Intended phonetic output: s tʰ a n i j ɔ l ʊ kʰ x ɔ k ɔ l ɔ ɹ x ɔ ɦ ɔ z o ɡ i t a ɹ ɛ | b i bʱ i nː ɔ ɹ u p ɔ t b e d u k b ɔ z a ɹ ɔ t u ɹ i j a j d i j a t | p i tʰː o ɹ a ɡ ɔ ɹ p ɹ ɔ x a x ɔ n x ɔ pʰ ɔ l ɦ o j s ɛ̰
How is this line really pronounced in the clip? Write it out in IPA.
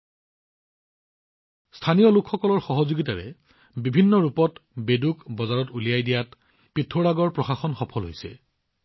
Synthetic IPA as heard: s tʰ a n i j ɔ l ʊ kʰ x ɔ k ɔ l ɔ ɹ x ɔ ɦ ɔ z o ɡ i t a ɹ ɛ | b i bʱ i nː ɔ ɹ u p ɔ t b e d u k b ɔ z a ɹ ɔ t u l i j a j d i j a t | p i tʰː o ɹ a ɡ ɔ ɹ p ɹ ɔ x a x ɔ n x ɔ pʰ ɔ l ɦ o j s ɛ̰